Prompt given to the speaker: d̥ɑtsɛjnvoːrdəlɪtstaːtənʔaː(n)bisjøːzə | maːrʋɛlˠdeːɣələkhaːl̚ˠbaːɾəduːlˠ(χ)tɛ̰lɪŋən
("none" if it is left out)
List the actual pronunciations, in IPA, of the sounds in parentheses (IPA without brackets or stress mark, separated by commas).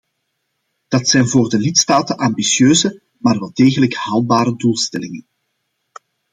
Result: m, s